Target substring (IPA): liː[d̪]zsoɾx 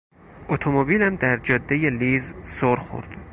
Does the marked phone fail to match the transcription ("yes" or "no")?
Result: yes